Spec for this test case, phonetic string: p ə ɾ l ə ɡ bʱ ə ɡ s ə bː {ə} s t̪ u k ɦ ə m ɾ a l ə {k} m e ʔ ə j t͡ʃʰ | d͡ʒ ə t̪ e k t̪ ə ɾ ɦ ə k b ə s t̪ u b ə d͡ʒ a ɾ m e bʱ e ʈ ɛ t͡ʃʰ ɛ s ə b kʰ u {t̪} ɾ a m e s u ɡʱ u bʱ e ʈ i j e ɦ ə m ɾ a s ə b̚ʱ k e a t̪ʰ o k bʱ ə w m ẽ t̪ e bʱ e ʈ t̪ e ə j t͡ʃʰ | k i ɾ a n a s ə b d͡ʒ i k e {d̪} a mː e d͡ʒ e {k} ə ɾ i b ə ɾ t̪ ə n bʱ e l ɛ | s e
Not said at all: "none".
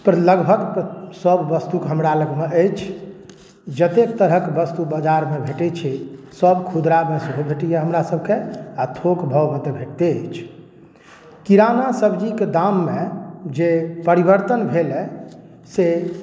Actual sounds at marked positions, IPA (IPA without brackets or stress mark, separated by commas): ə, ɡ, d̪, d̪, p